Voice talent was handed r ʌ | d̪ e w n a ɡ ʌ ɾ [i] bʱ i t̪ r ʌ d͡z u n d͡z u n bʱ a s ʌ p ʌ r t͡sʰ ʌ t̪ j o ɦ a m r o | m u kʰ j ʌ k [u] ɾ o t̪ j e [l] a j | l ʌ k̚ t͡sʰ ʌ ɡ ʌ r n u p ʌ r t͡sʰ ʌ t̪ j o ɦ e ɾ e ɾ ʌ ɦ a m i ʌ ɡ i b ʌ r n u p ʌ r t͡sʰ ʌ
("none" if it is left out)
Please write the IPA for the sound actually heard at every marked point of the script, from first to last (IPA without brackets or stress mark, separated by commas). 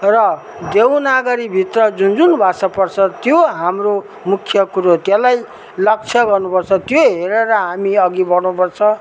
i, u, l